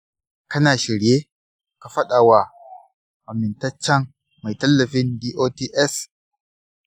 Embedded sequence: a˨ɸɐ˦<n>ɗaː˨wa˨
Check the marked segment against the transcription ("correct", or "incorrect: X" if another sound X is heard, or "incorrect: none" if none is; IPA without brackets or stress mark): incorrect: none